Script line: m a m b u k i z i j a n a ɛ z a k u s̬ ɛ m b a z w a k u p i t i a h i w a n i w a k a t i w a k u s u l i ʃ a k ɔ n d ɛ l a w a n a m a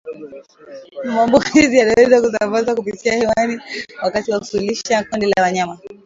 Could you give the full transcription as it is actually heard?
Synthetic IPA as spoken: m a m b u k i z i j a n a ɛ z a k u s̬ a m b a z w a k u p i t i a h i w a n i w a k a t i w a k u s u l i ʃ a k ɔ n d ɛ l a w a ɲ a m a